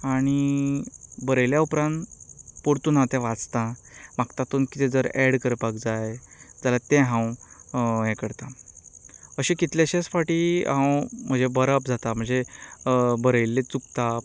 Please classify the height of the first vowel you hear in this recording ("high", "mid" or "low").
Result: low